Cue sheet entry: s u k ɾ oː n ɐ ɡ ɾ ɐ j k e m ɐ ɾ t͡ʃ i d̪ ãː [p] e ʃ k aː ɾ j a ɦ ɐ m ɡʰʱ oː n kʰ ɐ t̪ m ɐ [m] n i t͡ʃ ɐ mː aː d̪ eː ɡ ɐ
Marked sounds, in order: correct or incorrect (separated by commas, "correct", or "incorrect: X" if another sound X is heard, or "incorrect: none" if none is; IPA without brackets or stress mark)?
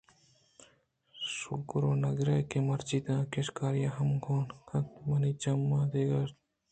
incorrect: k, incorrect: none